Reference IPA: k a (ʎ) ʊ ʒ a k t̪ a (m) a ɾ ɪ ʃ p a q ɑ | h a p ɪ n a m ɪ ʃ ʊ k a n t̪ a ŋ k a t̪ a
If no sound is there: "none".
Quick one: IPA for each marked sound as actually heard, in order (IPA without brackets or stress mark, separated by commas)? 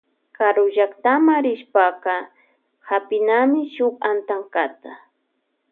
ɾ, m